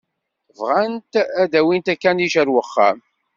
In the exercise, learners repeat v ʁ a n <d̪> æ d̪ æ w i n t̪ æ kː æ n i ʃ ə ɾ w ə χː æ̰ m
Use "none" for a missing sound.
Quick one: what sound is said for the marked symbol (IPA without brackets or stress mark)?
t̪